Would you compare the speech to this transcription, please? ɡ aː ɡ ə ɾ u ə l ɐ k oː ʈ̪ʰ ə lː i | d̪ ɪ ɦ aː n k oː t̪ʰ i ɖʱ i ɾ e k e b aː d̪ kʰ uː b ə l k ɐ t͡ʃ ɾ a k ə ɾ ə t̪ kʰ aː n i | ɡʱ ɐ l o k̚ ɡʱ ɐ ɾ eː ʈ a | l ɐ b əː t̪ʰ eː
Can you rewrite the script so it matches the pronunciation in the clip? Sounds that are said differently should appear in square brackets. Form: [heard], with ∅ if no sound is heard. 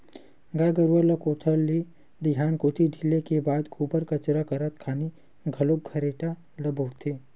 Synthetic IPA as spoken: ɡ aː ɡ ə ɾ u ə l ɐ k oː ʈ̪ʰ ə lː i | d̪ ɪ ɦ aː n k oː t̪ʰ i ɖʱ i [l] e k e b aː d̪ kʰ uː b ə [ɾ] k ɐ t͡ʃ ɾ a k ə ɾ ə t̪ kʰ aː n i | ɡʱ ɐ l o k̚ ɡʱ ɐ ɾ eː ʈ a | l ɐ b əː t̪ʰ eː